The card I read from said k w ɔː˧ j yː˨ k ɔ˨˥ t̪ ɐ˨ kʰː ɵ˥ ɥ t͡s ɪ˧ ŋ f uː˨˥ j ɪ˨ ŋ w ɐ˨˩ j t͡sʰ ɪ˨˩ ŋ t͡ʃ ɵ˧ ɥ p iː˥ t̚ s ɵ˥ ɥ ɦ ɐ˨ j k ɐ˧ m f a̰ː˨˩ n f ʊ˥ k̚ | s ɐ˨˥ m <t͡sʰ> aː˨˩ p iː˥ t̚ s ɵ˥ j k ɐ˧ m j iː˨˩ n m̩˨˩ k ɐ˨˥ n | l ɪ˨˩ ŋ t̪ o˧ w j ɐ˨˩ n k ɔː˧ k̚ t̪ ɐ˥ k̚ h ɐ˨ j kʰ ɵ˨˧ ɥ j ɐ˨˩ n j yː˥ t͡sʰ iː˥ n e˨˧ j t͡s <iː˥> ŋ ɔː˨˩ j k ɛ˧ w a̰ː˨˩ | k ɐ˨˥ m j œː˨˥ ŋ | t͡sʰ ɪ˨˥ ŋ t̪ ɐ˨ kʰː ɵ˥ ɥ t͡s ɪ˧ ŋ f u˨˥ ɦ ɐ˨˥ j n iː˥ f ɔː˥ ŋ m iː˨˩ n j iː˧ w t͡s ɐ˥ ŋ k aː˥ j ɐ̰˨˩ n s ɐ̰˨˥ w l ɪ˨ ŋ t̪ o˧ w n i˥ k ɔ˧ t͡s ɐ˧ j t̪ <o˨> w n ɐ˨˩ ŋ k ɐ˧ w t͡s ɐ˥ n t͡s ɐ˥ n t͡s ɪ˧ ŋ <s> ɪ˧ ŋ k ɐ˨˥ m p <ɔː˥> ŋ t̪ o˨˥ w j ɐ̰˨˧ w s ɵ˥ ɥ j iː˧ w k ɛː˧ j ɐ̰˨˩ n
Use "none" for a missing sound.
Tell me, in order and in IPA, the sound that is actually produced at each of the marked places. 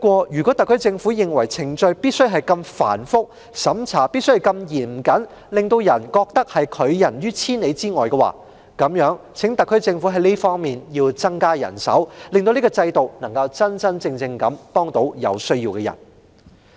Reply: t͡sʰ, iː˥, o˨, t͡s, ɔː˥

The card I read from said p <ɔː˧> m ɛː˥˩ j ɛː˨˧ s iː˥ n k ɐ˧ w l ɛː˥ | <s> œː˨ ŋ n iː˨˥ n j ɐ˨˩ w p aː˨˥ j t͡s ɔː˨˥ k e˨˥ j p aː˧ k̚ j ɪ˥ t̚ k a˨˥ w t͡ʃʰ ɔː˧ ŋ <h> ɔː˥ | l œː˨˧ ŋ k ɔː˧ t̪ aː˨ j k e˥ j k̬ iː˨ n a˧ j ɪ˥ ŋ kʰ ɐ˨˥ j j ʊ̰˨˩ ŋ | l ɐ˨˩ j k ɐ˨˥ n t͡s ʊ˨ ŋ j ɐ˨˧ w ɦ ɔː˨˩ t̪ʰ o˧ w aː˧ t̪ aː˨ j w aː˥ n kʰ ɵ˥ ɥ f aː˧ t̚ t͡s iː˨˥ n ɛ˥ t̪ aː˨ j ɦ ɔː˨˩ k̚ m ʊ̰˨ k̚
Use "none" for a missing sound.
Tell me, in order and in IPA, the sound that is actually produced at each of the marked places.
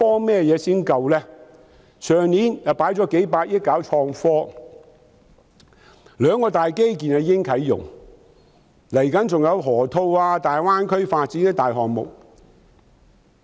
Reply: ɔː˥, s, f

